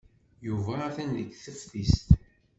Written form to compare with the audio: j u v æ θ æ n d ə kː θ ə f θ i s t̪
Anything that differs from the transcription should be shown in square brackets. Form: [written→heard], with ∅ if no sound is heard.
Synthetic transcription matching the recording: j u v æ θ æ n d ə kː θ ə f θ i s t̪